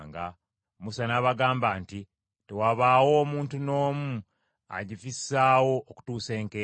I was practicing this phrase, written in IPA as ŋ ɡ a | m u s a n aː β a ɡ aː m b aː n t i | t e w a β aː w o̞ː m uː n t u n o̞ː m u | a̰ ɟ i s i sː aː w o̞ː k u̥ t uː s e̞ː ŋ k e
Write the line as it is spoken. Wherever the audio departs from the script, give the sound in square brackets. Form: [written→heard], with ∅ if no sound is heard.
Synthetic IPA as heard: ŋ ɡ a | m u s a n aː β a ɡ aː m b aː n t i | t e w a β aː w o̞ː m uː n t u n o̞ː m u | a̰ ɟ i [s→f] i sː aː w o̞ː k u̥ t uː s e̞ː ŋ k e